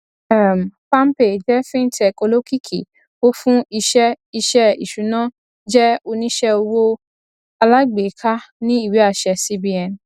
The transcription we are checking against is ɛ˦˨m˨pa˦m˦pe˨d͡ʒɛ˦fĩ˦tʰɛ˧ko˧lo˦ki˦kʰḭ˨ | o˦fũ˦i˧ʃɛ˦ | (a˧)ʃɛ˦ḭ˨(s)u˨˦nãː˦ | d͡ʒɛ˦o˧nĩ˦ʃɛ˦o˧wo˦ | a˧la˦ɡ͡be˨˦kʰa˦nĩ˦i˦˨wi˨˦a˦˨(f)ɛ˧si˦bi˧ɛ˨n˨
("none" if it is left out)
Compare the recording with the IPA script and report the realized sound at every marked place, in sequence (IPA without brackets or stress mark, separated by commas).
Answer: i˧, ʃ, ʃ